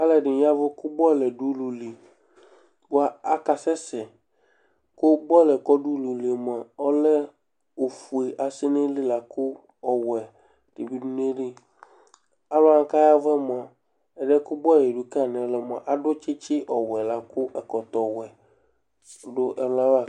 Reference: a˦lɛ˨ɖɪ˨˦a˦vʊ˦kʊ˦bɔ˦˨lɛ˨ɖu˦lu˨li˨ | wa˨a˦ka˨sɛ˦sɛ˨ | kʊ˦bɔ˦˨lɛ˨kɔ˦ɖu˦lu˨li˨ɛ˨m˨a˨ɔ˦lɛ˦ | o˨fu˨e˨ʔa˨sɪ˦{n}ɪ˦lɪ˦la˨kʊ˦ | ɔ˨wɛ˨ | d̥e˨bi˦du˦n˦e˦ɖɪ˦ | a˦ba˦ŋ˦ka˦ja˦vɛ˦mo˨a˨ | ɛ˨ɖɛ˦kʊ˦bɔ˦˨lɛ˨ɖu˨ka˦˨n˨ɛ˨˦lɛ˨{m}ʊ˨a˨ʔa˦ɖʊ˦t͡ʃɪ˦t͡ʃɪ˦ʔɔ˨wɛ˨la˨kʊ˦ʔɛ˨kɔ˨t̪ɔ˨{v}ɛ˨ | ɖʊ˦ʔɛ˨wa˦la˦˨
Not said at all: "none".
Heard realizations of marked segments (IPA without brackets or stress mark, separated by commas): n, m, w